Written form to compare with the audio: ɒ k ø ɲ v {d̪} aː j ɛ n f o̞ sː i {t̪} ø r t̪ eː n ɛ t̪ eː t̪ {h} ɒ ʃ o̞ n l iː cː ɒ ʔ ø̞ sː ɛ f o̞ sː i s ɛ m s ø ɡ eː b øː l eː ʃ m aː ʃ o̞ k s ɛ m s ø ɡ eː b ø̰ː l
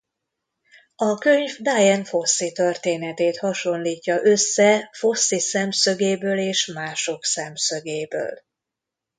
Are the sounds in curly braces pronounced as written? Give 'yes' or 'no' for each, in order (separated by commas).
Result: yes, yes, yes